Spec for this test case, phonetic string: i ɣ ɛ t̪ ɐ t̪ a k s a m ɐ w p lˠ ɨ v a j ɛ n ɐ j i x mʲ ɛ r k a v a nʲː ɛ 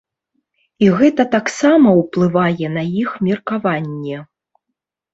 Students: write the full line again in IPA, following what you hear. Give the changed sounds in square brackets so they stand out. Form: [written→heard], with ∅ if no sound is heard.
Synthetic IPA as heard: i ɣ ɛ t̪ ɐ t̪ a k s a m ɐ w p lˠ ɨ v a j ɛ n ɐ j i x mʲ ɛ r k a v a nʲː ɛ